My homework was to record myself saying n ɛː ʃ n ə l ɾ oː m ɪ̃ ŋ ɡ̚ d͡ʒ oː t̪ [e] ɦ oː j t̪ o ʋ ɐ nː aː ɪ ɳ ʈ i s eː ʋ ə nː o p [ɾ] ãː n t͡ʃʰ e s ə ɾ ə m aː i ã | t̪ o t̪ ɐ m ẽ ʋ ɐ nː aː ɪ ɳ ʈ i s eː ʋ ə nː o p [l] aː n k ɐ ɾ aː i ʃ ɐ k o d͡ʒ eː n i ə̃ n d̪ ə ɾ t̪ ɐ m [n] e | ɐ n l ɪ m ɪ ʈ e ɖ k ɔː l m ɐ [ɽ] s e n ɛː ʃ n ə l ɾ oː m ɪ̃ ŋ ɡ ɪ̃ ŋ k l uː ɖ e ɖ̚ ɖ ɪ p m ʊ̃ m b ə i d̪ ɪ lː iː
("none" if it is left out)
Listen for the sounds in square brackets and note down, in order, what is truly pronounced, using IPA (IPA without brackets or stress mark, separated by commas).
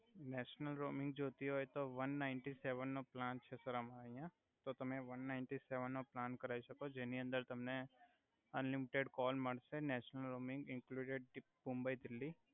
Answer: i, l, l, n, ɽ